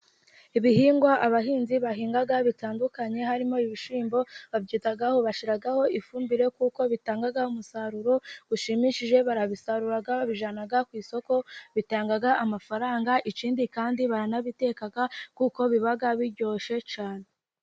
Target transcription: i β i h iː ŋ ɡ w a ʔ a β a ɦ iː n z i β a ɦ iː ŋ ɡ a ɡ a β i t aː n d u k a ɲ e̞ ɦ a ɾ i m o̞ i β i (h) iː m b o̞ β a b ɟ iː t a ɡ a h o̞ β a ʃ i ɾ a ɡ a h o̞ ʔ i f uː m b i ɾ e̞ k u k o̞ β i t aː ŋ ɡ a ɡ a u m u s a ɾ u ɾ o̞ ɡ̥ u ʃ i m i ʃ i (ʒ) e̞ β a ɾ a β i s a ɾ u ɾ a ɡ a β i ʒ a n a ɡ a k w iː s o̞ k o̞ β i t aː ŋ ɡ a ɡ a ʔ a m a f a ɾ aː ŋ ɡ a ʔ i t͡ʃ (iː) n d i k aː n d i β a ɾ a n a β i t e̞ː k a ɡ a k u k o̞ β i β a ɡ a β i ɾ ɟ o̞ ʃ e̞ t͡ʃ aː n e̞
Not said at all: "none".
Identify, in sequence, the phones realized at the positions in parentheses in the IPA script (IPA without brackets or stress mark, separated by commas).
ʃ, ʒ, iː